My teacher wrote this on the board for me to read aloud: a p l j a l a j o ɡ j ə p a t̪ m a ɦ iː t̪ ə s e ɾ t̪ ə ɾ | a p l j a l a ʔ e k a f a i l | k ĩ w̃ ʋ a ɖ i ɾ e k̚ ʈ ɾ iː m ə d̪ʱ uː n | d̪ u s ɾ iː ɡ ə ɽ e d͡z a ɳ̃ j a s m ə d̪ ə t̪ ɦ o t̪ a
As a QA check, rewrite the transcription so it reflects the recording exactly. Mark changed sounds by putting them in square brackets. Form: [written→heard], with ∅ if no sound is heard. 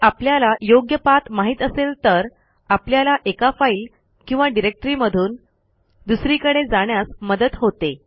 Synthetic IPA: a p l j a l a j o ɡ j ə p a t̪ m a ɦ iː t̪ ə s e [ɾ→l] t̪ ə ɾ | a p l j a l a ʔ e k a f a i l | k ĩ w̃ ʋ a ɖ i ɾ e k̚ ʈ ɾ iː m ə d̪ʱ uː n | d̪ u s ɾ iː [ɡ→k] ə ɽ e d͡z a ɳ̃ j a s m ə d̪ ə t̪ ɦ o t̪ [a→e]